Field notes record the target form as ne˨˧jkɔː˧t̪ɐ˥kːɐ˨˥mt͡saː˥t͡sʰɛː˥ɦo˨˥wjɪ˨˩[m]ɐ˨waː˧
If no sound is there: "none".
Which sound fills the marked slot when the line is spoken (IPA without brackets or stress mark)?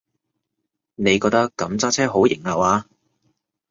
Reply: ŋ